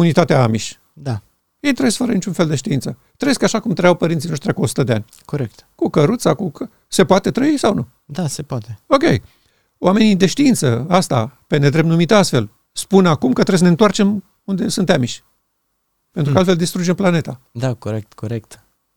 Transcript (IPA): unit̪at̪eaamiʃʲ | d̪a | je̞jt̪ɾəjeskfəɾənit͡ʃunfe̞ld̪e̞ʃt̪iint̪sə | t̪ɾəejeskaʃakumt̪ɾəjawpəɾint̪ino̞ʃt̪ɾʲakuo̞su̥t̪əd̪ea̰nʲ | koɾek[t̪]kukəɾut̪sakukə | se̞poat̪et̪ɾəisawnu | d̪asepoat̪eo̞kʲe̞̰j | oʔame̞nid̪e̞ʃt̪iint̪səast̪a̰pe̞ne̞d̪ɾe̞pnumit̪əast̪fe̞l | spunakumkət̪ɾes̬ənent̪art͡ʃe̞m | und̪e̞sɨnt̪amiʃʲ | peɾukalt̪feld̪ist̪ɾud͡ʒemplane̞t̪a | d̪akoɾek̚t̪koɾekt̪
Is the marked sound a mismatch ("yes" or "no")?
no